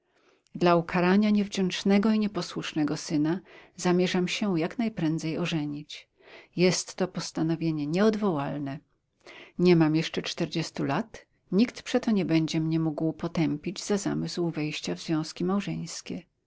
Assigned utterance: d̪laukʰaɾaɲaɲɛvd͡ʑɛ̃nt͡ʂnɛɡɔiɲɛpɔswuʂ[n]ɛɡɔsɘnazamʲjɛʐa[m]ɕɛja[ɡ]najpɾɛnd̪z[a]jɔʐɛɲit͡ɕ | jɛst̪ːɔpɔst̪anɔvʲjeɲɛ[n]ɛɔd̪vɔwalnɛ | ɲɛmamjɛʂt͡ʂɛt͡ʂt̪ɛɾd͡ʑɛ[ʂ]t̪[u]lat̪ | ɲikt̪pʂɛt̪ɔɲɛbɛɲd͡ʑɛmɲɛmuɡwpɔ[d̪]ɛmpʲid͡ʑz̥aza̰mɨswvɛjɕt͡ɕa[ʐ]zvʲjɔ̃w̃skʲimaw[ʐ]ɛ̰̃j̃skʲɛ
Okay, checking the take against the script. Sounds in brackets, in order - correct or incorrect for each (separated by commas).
correct, correct, incorrect, incorrect, incorrect, incorrect, correct, incorrect, incorrect, correct